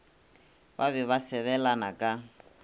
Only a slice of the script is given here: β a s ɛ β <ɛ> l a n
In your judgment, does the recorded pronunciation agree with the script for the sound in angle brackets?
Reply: yes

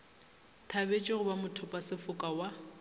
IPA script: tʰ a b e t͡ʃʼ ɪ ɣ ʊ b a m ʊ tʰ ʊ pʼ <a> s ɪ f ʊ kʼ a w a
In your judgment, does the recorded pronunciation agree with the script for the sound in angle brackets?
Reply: yes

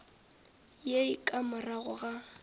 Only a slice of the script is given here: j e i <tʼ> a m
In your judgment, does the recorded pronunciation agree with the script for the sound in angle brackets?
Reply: no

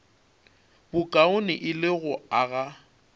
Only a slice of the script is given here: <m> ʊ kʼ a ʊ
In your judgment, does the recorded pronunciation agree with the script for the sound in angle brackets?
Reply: no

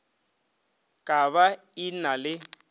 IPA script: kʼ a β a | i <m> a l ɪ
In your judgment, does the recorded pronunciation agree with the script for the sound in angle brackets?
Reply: no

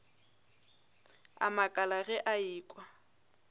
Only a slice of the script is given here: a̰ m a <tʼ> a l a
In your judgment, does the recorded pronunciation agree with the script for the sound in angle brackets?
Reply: no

